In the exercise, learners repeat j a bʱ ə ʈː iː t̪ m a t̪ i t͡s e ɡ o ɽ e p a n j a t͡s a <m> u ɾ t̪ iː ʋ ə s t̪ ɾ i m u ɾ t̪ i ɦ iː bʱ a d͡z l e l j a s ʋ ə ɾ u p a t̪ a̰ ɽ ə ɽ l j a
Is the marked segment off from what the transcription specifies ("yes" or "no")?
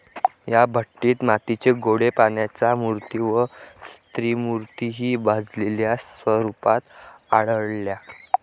no